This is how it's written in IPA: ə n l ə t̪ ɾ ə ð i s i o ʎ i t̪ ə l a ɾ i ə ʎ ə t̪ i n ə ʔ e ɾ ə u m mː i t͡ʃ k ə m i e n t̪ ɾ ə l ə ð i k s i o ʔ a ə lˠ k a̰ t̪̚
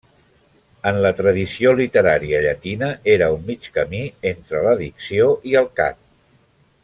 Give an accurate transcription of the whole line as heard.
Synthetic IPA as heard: ə n l ə t̪ ɾ ə ð i s i o l i t̪ ə ɾ a ɾ i ə ʎ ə t̪ i n ə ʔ e ɾ ə u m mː i t͡ʃ k ə m i e n t̪ ɾ ə l ə ð i k s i o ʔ i ə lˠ k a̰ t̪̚